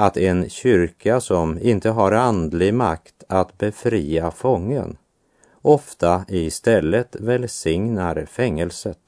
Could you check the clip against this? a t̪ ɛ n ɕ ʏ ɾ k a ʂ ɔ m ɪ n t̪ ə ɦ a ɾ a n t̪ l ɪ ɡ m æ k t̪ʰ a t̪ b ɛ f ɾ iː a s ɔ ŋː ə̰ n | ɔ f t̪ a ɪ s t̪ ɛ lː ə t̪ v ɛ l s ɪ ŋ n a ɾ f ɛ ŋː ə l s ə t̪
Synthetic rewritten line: a t̪ ɛ n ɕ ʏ ɾ k a s ɔ m ɪ n t̪ ə ɦ a ɾ a n d̪ l ɪ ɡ m a k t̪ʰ a t̪ b ɛ f ɾ iː a f ɔ ŋː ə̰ n | ɔ f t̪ a ɪ s t̪ ɛ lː ə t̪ v ɛ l s ɪ ŋ n a ɾ f ɛ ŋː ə l s ə t̪